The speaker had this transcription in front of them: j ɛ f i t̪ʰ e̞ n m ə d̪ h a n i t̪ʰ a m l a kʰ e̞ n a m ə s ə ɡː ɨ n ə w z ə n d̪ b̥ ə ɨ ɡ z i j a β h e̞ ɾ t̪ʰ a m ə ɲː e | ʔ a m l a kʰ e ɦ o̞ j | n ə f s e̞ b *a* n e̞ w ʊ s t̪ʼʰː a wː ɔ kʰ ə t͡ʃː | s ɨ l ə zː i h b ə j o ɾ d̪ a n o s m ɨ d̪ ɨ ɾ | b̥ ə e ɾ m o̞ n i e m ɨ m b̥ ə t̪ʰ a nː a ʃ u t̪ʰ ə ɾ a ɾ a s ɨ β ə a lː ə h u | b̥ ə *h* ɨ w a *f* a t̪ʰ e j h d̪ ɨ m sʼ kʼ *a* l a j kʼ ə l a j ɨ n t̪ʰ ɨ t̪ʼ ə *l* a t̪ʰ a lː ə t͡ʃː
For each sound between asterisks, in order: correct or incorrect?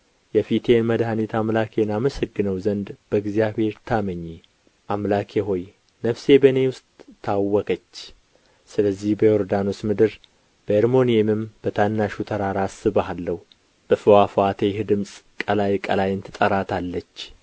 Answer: incorrect: ə, incorrect: f, correct, incorrect: ə, incorrect: ɾ

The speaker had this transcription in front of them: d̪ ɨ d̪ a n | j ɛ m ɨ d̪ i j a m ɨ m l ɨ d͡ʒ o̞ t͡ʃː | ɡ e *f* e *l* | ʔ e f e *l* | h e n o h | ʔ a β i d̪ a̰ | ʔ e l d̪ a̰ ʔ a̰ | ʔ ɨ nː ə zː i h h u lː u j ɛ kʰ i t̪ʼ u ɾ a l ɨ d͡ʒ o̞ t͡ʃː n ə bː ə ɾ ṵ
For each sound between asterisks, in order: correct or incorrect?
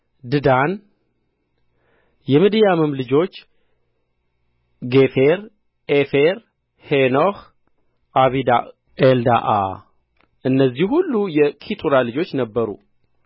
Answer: correct, incorrect: ɾ, incorrect: ɾ

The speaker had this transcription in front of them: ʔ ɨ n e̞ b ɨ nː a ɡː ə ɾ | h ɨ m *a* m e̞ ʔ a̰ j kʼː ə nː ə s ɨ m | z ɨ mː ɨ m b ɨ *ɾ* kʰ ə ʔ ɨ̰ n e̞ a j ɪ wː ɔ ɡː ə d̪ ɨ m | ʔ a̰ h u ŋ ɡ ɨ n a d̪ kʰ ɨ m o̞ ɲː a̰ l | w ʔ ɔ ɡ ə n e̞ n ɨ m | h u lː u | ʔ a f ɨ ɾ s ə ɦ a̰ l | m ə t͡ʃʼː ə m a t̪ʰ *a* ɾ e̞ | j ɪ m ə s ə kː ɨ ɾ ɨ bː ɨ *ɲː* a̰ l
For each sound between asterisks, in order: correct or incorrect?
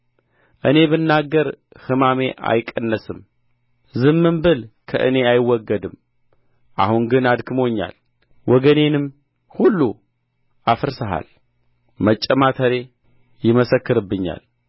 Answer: correct, incorrect: l, incorrect: ə, correct

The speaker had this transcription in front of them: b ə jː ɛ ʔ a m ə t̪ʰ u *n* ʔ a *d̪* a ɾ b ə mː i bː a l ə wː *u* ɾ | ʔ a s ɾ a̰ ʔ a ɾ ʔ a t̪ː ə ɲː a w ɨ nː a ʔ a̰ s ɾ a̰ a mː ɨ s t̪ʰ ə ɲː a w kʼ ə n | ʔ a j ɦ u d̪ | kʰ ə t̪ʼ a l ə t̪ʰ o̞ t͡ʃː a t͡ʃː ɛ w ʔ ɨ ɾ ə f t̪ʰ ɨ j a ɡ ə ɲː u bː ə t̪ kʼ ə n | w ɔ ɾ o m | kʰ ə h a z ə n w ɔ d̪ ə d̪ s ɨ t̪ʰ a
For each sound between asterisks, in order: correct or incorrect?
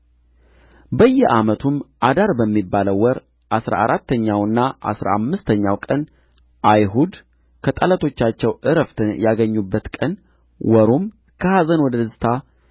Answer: incorrect: m, correct, incorrect: ɔ

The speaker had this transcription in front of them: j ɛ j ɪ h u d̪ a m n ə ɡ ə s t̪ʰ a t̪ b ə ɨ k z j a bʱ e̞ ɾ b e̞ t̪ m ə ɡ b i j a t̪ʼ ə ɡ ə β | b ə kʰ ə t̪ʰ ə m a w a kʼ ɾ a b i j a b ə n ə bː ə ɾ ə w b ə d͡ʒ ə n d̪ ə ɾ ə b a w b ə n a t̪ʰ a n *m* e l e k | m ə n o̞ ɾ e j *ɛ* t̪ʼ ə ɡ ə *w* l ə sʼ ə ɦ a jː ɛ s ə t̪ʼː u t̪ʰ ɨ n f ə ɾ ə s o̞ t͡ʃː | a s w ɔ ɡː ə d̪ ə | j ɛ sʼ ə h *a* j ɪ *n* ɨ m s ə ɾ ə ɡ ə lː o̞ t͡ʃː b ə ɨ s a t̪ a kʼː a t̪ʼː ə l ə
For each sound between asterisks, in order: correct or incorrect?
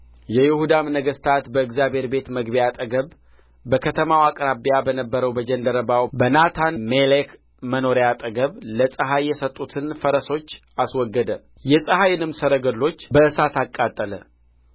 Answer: correct, incorrect: a, incorrect: β, correct, correct

